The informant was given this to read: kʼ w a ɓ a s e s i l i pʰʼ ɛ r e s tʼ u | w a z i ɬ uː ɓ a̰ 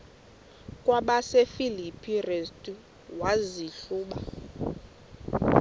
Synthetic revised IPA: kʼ w a ɓ a s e f i l i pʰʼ i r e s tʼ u | w a z i ɬ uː ɓ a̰